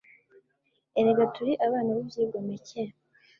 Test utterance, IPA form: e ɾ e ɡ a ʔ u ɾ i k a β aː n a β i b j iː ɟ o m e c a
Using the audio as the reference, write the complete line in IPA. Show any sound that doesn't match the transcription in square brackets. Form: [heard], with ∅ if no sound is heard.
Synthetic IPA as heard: e ɾ e ɡ a [t] u ɾ i [ʔ] a β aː n a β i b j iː [ɡ] o m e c [e]

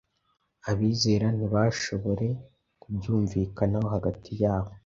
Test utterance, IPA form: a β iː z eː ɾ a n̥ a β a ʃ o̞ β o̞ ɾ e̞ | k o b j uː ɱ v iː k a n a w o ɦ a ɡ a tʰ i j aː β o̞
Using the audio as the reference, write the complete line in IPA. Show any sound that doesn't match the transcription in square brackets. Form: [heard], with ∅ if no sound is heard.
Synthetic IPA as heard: a β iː z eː ɾ a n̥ [i] β a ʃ o̞ β o̞ ɾ e̞ | k [u] b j uː ɱ v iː k a n a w o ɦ a ɡ a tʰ i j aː β o̞

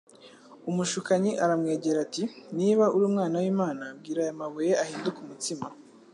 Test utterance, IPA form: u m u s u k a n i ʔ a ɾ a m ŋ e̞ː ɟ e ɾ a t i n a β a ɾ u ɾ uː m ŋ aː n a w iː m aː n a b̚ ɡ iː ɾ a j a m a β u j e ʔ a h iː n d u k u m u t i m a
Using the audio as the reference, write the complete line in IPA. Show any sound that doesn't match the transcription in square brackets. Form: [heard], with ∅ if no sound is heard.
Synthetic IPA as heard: u m u [ʃ] u k a [ɲ] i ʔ a ɾ a m ŋ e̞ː ɟ e ɾ a t i n [i] β a [∅] u ɾ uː m ŋ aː n a w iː m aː n a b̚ ɡ iː ɾ a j a m a β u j e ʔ a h iː n d u k u m u t i m a

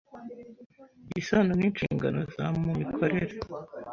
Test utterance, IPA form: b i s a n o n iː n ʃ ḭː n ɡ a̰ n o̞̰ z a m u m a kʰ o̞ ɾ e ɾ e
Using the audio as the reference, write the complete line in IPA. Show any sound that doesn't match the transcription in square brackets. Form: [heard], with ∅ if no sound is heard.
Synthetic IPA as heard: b i s a n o n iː n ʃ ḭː [ŋ] ɡ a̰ n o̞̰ z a m u m [i] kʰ o̞ ɾ e ɾ e

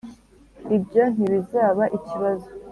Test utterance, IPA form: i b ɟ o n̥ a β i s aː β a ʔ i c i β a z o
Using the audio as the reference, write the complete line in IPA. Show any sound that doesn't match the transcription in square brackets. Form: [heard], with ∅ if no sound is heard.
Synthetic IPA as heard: i b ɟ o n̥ [i] β i [z] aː β a ʔ i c i β a z o

